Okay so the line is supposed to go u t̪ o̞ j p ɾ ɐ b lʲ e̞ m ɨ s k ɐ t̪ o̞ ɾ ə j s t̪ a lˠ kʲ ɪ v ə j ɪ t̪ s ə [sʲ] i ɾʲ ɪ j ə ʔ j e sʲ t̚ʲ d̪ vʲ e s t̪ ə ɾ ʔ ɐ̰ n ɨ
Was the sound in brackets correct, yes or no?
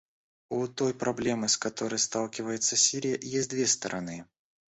yes